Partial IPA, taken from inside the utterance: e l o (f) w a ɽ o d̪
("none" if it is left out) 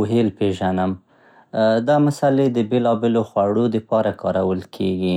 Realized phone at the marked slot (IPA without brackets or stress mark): x